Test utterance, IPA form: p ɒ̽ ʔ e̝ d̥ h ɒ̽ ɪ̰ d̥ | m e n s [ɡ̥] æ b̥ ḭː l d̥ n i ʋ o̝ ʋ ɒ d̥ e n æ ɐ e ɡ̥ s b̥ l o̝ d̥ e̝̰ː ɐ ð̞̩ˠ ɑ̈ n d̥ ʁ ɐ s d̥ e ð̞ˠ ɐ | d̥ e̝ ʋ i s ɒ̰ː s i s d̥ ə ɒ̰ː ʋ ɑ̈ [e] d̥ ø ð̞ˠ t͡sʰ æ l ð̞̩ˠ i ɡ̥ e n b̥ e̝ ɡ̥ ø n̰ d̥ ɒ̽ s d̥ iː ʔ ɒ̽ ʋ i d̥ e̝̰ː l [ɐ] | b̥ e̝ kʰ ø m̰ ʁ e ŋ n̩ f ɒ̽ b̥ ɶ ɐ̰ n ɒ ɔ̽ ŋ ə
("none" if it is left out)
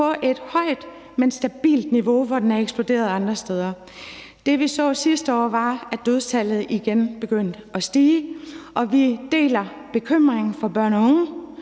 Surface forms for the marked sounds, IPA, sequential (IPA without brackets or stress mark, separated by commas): d̥, æ, ɐ